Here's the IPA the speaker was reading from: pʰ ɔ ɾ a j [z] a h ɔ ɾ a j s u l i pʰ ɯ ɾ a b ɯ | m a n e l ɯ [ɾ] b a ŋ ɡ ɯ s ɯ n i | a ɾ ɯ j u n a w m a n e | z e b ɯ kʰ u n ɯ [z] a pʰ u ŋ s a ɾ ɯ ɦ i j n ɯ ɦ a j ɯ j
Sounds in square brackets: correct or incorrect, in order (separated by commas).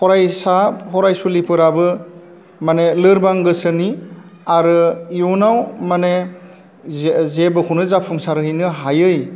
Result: incorrect, correct, correct